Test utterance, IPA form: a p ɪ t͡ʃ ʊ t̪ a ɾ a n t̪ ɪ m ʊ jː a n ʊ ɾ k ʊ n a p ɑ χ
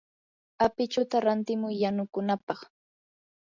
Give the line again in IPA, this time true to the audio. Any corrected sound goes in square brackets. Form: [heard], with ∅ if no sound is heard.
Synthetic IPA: a p ɪ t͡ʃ ʊ t̪ a ɾ a n t̪ ɪ m ʊ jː a n ʊ [∅] k ʊ n a p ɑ χ